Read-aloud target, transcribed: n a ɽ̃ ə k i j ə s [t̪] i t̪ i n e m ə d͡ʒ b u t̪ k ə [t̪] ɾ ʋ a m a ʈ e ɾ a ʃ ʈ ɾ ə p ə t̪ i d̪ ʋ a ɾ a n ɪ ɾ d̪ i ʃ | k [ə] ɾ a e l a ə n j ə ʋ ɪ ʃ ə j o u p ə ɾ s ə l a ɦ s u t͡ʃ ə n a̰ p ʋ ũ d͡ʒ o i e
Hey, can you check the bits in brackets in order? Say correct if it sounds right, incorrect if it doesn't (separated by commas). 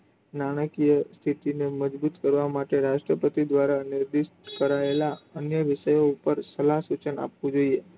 incorrect, incorrect, correct